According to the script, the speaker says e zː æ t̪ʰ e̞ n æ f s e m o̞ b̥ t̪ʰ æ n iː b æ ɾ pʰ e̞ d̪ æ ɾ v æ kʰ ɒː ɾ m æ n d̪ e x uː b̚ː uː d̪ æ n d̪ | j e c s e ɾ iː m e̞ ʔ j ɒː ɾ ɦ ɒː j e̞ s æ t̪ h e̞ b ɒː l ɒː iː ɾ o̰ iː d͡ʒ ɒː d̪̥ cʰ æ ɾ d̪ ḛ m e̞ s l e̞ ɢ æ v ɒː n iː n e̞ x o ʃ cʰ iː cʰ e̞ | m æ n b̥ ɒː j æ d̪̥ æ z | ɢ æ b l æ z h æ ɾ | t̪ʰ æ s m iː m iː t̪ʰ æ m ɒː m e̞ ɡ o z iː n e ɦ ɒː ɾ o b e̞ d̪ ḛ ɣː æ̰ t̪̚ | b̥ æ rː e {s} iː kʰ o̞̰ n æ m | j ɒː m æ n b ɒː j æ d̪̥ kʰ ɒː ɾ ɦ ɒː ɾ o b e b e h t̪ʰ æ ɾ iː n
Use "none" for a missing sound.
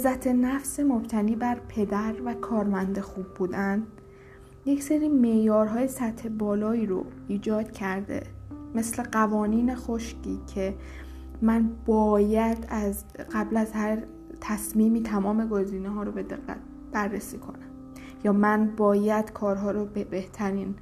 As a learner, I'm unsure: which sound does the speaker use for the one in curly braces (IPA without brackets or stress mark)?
s